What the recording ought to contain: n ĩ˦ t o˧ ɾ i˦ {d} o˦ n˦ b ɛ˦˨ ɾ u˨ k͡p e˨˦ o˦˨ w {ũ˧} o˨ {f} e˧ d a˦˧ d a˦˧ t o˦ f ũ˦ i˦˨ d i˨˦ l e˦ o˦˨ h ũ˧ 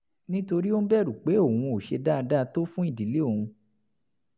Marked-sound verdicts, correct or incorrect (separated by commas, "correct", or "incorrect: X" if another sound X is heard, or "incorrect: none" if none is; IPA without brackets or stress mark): incorrect: none, correct, incorrect: ʃ